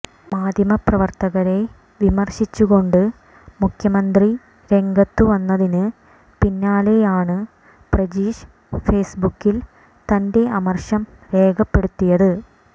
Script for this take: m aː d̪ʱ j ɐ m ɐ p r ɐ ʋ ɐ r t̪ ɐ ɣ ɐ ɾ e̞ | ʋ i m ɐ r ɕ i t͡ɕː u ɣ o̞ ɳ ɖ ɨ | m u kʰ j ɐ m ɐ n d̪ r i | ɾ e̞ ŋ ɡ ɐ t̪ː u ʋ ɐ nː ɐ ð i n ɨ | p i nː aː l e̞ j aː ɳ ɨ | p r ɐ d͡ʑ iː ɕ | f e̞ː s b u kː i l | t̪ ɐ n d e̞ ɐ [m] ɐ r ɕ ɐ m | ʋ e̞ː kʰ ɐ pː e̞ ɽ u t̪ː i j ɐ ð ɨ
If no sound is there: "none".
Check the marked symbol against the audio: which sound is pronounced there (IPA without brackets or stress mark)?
m